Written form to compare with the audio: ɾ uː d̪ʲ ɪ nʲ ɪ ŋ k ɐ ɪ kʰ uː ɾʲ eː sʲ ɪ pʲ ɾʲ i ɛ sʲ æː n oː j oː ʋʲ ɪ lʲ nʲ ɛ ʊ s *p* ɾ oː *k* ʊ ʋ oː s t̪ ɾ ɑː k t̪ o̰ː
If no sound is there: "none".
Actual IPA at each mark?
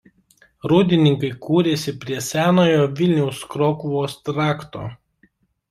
k, k

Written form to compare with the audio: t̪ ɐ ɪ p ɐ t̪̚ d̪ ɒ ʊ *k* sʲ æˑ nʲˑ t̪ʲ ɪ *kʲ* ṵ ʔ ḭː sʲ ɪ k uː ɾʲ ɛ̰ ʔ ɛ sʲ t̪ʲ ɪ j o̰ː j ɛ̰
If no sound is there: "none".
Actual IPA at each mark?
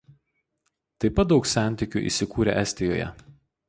k, kʲ

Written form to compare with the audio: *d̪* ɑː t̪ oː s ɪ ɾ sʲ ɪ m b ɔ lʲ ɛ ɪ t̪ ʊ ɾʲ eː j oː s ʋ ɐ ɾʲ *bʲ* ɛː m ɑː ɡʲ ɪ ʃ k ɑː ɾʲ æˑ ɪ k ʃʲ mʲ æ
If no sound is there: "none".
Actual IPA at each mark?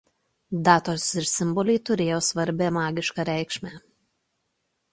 d̪, bʲ

